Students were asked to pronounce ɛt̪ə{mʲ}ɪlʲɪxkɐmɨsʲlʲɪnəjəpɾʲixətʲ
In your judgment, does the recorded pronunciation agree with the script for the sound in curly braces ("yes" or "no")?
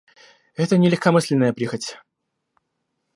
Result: no